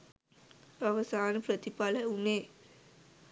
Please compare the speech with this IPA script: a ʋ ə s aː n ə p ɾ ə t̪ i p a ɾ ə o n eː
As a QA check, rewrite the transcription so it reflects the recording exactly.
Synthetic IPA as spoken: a ʋ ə s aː n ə p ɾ ə t̪ i p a l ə u n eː